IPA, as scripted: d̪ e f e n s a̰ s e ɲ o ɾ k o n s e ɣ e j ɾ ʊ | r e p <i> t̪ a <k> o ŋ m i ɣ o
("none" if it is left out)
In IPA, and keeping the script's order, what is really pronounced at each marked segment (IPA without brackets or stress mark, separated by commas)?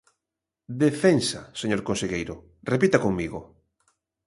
i, k